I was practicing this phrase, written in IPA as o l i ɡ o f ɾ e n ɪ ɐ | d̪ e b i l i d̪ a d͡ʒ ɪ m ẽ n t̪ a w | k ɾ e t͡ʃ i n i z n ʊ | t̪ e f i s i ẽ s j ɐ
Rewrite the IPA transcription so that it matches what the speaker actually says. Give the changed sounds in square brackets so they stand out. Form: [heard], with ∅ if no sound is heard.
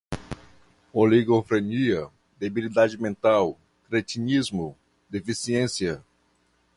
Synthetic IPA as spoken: o l i ɡ o f ɾ e n [i] ɐ | d̪ e b i l i d̪ a d͡ʒ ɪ m ẽ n t̪ a w | k ɾ e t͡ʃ i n i z [m] ʊ | [d̪] e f i s i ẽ s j ɐ